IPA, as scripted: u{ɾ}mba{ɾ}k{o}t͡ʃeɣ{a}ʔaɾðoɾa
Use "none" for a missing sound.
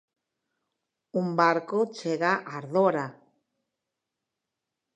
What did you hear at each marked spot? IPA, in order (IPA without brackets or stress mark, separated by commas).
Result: none, ɾ, o, a